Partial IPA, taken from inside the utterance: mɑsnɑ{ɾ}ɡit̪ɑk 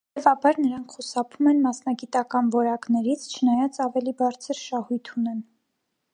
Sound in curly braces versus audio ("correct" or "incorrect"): incorrect